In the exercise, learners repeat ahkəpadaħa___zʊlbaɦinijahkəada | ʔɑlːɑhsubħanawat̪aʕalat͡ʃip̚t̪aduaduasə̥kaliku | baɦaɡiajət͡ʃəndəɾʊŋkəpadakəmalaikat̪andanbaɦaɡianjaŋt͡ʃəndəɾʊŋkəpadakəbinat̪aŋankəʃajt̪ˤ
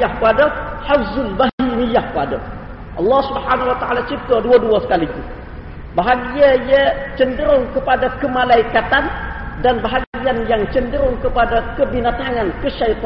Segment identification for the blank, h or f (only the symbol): f